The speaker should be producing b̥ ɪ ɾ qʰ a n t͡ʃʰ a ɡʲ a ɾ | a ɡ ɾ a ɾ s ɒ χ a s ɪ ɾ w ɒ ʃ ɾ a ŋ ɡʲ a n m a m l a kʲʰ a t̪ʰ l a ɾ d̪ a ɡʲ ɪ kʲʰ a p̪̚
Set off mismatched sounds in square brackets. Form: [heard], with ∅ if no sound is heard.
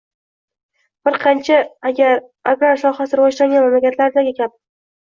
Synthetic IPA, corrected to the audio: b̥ ɪ ɾ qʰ [ɑ] n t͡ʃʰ a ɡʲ a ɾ | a ɡ ɾ a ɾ s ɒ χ a s ɪ ɾ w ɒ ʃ ɾ a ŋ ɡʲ a n m a m l a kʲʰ a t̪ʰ l a ɾ d̪ a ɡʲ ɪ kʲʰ a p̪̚